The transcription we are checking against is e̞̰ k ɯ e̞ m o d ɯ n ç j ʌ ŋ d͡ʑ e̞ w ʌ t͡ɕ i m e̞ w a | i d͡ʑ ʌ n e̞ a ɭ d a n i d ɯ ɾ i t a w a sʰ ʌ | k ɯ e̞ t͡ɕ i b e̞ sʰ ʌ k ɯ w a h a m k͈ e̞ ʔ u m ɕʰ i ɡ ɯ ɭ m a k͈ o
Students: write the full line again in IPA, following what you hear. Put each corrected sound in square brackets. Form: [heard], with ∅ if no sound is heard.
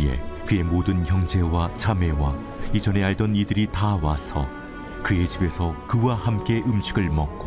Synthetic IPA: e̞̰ k ɯ e̞ m o d ɯ n ç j ʌ ŋ d͡ʑ e̞ w [a] t͡ɕ [a] m e̞ w a | i d͡ʑ ʌ n e̞ a ɭ d [ʌ] n i d ɯ ɾ i t a w a sʰ ʌ | k ɯ e̞ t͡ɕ i b e̞ sʰ ʌ k ɯ w a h a m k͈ e̞ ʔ [ɯ] m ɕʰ i ɡ ɯ ɭ m [ʌ] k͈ o